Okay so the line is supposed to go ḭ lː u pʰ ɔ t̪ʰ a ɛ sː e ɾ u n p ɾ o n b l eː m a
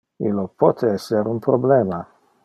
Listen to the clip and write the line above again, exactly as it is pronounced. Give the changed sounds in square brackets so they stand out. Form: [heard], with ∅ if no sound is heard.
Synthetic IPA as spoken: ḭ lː [o] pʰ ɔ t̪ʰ [e] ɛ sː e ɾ u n p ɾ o [∅] b l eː m a